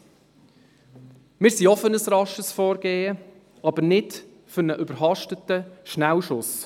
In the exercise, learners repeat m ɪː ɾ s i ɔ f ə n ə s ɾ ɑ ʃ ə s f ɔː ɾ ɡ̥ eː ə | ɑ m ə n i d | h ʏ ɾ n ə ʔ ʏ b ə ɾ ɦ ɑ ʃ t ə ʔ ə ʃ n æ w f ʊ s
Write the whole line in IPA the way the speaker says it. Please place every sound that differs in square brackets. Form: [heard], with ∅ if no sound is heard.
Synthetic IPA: m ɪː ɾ s i ɔ f ə n ə s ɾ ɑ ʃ ə s f ɔː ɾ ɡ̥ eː ə | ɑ [b] ə n [ɪ] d | [f] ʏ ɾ n ə ʔ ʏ b ə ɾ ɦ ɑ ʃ t ə [t] ə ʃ n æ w [ʃ] ʊ s